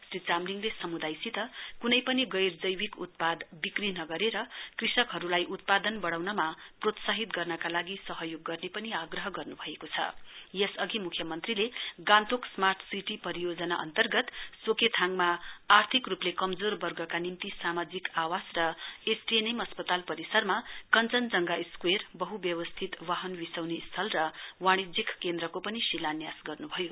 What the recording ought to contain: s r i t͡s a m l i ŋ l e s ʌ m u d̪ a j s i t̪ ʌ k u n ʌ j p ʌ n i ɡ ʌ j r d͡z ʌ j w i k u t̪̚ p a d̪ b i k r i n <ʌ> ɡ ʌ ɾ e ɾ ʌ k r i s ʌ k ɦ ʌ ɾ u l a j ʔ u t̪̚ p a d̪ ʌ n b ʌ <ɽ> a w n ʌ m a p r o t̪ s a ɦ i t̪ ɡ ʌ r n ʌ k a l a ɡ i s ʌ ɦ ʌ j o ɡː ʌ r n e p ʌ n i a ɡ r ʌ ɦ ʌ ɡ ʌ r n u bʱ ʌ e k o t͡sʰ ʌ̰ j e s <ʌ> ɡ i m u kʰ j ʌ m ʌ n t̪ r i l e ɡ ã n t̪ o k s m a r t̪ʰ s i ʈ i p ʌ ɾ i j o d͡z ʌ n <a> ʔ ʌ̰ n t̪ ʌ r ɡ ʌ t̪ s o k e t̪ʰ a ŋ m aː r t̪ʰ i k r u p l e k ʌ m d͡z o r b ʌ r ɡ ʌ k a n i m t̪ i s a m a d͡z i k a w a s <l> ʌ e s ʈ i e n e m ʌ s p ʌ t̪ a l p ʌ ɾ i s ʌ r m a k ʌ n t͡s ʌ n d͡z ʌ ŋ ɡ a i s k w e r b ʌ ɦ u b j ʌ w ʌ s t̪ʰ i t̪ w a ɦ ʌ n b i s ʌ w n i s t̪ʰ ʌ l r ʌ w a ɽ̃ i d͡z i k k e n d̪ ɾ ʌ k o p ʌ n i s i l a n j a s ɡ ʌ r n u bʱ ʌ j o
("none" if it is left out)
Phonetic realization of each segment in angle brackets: ʌ, ɽ, ʌ, a, r

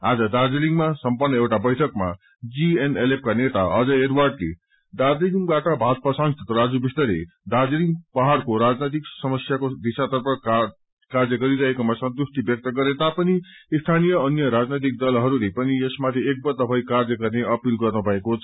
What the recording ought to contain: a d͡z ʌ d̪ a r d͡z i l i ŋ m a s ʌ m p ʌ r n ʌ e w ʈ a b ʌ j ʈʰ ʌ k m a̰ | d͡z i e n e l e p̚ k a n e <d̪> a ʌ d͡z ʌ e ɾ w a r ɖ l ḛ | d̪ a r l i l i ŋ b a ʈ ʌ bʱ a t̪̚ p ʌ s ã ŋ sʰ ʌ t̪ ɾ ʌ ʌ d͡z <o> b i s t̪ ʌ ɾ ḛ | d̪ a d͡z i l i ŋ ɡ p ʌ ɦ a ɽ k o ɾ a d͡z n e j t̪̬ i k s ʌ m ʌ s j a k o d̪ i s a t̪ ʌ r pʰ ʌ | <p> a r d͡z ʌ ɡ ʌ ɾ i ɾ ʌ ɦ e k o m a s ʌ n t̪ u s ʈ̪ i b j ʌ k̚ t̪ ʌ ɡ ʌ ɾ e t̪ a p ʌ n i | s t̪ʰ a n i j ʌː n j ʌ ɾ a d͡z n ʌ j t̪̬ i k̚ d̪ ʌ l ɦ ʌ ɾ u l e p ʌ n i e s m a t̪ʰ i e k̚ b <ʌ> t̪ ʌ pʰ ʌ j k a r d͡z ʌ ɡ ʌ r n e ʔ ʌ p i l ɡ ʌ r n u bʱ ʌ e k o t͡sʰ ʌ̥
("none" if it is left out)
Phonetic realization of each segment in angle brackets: t̪, u, k, ʌ

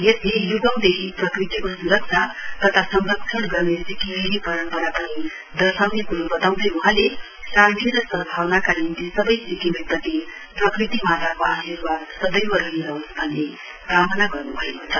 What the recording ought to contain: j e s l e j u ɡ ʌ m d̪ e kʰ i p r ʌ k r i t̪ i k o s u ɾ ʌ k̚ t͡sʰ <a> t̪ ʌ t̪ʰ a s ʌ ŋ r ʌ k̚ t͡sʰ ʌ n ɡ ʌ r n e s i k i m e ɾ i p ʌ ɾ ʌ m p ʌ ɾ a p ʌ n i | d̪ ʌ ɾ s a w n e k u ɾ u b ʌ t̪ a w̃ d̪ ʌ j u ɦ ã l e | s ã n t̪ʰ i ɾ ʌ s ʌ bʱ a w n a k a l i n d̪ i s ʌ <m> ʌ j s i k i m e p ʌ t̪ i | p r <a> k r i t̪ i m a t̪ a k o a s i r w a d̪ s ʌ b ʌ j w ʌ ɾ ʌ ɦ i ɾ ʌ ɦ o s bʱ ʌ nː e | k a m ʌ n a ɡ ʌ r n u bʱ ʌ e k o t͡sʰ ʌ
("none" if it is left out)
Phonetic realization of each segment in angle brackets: a, b, ʌ

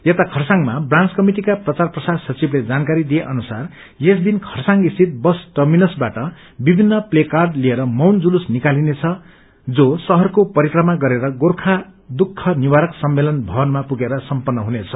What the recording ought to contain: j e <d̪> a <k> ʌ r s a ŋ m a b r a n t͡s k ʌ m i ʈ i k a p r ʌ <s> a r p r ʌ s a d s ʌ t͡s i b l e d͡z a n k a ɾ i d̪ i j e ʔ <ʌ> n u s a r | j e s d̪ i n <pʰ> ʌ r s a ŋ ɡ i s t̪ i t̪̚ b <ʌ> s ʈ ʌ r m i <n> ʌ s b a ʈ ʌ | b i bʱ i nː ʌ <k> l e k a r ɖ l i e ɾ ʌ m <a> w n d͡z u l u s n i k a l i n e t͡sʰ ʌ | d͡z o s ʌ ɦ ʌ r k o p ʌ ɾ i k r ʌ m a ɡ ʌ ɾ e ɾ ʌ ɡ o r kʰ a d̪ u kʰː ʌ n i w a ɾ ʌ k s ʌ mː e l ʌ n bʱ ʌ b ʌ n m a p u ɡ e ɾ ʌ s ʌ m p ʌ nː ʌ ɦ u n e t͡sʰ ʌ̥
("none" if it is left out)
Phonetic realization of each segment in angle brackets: t̪, kʰ, t͡s, ʌ, kʰ, ʌ, n, p, ʌ

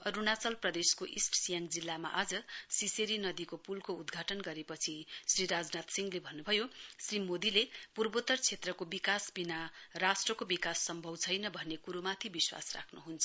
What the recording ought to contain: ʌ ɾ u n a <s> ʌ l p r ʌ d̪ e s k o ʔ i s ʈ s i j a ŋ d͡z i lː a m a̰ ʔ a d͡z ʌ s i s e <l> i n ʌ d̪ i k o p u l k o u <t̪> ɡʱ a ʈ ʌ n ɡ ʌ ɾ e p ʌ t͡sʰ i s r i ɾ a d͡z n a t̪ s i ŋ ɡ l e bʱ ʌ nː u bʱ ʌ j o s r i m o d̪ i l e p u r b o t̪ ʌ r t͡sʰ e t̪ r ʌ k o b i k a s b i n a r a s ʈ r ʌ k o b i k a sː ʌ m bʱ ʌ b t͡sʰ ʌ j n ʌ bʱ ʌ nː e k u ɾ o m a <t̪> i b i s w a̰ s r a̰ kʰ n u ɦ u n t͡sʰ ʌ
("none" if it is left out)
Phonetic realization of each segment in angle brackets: t͡s, ɾ, d̪, t̪ʰ

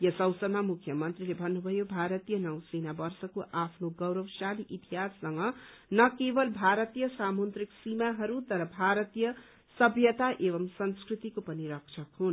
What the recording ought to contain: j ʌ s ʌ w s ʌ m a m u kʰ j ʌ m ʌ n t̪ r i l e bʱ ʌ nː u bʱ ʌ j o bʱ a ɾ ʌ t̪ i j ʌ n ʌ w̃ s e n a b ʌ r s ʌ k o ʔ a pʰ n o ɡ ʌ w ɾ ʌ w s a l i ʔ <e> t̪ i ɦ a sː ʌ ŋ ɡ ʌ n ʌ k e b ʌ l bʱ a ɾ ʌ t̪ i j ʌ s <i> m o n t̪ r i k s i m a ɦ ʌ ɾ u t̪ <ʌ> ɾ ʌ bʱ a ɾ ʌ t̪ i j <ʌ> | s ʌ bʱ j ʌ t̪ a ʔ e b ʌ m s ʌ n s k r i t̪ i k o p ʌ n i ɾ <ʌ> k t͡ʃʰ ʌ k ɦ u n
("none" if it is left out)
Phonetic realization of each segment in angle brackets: i, a, ʌ, ʌ, ʌ

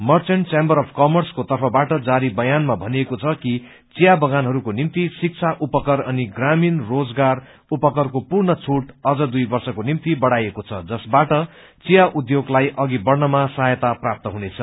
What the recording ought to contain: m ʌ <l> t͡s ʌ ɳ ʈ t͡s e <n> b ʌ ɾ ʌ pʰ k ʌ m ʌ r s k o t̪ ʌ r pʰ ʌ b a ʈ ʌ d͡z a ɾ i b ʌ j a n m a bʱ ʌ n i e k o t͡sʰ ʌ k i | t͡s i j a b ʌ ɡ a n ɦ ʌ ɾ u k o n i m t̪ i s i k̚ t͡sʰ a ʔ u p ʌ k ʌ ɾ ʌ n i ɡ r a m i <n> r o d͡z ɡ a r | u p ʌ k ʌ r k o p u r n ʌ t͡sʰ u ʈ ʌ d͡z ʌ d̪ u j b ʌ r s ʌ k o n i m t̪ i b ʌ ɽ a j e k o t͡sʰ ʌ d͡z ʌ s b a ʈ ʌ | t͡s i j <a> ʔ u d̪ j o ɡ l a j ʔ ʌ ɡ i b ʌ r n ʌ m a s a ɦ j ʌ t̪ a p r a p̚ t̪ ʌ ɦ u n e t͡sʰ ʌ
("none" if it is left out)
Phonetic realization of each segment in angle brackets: r, m, n, a

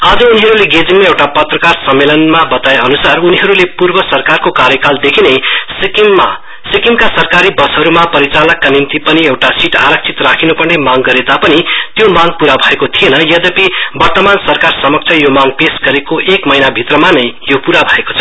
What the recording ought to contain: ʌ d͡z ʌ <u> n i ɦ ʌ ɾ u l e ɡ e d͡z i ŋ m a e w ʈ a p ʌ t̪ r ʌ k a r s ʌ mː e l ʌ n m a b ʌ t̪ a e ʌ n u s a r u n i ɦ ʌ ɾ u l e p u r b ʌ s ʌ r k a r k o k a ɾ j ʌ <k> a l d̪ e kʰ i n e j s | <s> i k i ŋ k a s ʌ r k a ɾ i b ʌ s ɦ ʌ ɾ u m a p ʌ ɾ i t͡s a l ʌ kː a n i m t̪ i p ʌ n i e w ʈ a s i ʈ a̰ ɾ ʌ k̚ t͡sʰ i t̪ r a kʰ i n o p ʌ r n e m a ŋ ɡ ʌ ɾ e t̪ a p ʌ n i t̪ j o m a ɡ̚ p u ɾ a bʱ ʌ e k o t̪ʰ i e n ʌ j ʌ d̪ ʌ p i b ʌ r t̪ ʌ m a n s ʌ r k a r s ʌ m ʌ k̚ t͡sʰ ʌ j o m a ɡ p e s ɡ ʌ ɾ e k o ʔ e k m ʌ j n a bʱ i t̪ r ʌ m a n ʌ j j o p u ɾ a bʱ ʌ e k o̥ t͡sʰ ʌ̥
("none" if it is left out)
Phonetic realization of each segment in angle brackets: u, k, s

